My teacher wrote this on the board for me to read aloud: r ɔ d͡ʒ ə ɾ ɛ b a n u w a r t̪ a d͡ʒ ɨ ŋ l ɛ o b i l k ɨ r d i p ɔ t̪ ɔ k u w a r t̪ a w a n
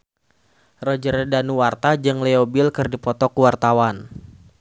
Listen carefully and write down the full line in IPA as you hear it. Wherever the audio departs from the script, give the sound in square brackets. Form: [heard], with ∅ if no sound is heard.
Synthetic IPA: r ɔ d͡ʒ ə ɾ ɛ [d] a n u w a r t̪ a d͡ʒ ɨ ŋ l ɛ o b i l k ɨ r d i p ɔ t̪ ɔ k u w a r t̪ a w a n